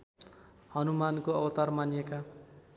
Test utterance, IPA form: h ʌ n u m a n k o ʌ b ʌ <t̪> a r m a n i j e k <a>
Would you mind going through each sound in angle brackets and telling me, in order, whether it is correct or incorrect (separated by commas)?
correct, correct